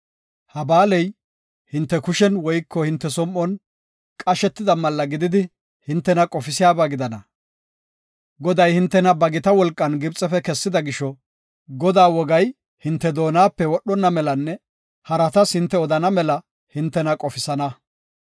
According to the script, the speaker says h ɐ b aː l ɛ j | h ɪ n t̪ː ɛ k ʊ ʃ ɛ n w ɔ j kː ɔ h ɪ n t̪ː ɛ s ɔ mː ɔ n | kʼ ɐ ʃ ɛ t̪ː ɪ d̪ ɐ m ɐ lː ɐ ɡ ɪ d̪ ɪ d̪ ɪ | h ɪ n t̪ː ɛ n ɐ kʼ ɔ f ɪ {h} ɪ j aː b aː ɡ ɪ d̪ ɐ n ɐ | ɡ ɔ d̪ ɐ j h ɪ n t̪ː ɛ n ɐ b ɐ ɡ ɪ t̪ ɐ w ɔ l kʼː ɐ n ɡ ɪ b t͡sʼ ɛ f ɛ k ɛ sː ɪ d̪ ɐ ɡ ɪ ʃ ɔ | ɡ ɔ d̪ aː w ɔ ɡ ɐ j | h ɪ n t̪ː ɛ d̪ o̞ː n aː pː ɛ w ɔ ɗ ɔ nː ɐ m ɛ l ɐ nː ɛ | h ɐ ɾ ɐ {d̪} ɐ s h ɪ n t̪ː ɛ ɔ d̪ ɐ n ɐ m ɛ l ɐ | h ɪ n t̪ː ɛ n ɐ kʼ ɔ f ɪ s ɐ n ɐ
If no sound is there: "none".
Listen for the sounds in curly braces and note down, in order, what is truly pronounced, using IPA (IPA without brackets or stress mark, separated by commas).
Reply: s, t̪